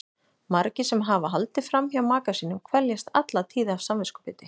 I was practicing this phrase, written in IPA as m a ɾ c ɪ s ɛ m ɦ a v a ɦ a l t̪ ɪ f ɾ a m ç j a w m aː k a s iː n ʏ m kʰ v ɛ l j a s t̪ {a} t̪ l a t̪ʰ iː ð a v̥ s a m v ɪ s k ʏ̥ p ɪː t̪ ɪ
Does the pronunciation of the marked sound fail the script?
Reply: no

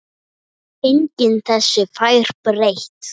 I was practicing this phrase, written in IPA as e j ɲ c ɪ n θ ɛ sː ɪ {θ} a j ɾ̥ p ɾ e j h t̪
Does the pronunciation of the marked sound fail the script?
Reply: yes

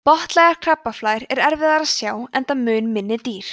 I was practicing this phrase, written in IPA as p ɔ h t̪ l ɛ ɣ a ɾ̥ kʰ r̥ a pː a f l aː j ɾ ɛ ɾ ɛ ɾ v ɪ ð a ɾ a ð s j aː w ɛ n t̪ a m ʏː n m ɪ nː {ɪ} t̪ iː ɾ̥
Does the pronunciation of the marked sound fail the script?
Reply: no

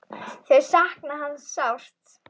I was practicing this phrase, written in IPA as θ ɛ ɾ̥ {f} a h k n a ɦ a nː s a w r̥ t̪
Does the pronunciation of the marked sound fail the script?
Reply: yes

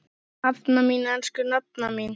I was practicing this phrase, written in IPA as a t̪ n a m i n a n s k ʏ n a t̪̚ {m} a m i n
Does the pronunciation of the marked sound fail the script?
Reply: yes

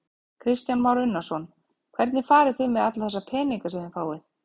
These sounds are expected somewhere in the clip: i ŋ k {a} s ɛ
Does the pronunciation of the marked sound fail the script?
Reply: no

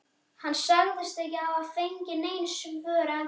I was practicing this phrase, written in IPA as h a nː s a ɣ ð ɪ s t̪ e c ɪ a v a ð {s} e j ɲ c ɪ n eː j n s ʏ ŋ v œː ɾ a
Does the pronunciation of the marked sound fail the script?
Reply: yes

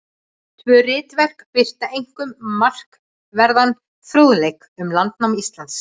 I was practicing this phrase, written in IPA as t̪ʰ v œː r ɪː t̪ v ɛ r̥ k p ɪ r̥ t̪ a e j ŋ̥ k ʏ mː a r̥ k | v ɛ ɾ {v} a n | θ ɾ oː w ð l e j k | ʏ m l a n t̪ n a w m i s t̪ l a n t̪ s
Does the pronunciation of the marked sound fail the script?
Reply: yes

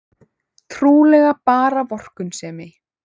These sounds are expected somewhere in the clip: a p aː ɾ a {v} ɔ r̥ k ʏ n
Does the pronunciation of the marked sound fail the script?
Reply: no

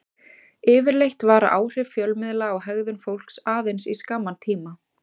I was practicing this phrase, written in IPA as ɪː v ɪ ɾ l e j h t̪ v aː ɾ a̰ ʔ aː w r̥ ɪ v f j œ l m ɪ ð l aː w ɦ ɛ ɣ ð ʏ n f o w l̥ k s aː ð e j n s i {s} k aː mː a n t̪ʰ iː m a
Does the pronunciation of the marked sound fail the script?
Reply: no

